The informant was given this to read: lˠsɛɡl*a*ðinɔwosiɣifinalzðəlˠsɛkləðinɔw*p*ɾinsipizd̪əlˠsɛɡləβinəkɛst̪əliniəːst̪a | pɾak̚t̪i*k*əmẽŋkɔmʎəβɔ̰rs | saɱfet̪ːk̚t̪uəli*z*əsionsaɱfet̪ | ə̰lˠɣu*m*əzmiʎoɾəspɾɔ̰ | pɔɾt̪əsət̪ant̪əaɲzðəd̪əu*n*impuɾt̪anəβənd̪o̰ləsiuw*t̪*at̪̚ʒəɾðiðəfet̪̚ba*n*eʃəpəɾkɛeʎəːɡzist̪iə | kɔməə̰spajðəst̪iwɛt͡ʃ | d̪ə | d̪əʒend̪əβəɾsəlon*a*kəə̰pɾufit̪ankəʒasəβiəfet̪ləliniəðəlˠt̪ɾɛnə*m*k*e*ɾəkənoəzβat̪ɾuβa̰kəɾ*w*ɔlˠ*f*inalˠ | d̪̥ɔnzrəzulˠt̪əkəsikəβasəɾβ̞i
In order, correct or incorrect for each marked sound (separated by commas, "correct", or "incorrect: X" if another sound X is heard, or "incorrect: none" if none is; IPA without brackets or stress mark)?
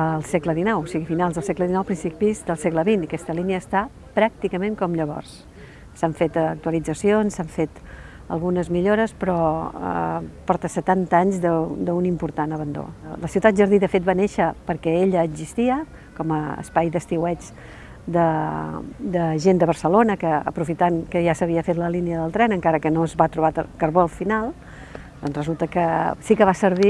incorrect: ə, correct, correct, incorrect: d͡z, incorrect: n, correct, correct, correct, incorrect: ə, incorrect: ŋ, incorrect: a, incorrect: β, correct